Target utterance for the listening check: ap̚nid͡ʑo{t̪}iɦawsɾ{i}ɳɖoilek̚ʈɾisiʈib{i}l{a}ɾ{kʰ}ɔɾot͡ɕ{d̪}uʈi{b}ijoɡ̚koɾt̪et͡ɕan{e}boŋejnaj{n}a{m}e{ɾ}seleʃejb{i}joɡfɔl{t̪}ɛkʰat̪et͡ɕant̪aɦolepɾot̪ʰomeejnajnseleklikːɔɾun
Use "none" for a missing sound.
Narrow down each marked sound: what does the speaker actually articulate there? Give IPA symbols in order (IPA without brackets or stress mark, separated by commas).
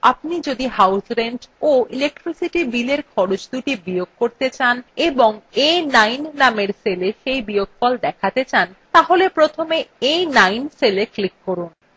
d̪, e, i, e, kʰ, d̪, b, e, nː, m, ɾ, i, d̪